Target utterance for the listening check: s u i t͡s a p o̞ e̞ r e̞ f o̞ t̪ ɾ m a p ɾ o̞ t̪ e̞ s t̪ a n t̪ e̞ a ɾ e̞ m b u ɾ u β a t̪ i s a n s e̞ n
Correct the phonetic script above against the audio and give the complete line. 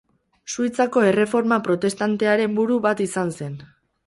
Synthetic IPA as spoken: s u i t͡s a k o̞ e̞ r e̞ f o̞ ɾ m a p ɾ o̞ t̪ e̞ s t̪ a n t̪ e̞ a ɾ e̞ m b u ɾ u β a t̪ i s a n s e̞ n